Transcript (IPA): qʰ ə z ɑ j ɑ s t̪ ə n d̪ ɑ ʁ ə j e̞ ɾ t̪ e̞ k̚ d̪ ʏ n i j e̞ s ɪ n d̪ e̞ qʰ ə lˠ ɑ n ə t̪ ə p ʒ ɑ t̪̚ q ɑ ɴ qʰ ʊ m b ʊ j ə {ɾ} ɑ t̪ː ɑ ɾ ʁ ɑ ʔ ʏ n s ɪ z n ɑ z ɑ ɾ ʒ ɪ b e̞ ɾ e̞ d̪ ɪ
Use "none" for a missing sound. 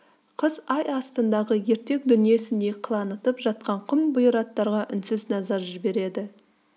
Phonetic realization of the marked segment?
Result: ɾ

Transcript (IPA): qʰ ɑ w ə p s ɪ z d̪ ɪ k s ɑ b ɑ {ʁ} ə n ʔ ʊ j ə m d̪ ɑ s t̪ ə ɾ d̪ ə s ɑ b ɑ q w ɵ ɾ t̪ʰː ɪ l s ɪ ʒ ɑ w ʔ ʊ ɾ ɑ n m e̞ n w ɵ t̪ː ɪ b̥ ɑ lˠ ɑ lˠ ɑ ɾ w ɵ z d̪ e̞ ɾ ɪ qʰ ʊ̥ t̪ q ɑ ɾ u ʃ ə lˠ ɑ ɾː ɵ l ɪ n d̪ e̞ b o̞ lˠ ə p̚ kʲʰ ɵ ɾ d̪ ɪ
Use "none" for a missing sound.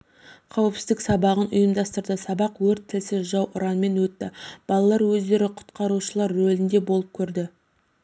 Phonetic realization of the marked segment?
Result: ʁ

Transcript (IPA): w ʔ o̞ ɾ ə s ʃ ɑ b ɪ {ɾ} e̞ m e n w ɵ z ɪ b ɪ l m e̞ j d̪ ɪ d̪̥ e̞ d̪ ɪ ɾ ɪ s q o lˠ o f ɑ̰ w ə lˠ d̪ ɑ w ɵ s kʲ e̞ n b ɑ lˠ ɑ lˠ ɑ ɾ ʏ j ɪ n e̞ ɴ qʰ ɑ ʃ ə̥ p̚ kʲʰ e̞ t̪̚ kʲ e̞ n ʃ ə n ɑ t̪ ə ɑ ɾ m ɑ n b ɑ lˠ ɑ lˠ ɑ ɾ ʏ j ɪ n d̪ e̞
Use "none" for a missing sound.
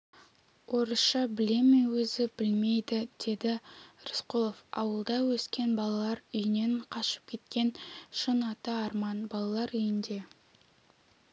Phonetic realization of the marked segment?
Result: l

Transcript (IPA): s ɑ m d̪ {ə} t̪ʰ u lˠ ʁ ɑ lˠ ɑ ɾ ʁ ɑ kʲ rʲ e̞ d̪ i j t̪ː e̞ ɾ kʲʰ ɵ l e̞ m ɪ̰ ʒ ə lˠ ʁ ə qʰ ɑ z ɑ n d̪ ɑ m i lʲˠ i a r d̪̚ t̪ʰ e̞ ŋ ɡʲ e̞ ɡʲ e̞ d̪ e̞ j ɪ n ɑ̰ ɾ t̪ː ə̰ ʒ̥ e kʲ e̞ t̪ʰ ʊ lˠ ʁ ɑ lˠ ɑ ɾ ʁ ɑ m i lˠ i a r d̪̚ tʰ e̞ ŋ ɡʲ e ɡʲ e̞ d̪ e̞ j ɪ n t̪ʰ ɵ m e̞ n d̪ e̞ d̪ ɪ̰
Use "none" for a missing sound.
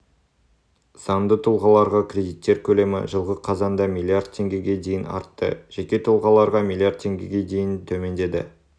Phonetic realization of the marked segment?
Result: ə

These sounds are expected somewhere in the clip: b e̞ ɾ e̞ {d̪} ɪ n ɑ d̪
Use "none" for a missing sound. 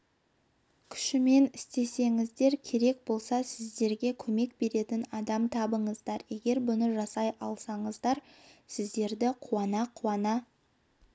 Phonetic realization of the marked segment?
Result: t̪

